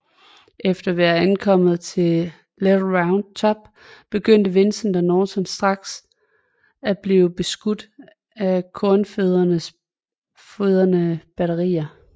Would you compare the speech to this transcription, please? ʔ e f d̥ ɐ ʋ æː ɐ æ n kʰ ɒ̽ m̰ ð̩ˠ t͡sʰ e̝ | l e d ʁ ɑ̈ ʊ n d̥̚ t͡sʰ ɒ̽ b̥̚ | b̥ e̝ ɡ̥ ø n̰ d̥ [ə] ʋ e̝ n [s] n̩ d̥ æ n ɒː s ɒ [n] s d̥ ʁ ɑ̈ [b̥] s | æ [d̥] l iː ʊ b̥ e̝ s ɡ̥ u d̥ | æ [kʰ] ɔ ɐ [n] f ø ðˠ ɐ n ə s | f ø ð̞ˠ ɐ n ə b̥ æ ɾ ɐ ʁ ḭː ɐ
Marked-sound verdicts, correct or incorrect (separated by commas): correct, correct, correct, incorrect, incorrect, correct, correct